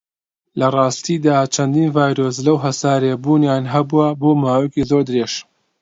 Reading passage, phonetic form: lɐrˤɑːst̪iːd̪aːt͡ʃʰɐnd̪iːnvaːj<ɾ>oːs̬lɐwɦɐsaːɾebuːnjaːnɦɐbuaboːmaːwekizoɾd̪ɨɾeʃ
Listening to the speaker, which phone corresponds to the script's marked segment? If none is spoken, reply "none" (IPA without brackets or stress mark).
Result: ɾ